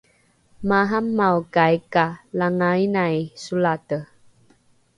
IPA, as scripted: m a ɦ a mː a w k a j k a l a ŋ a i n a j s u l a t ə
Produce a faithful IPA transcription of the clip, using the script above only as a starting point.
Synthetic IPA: m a ɦ a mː a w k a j k a l a ŋ a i n a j s u l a t ə